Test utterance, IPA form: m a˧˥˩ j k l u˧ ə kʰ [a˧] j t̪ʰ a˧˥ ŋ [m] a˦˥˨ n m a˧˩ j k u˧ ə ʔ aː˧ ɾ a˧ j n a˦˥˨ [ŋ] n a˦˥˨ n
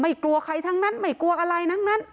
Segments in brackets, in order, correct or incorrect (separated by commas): correct, incorrect, correct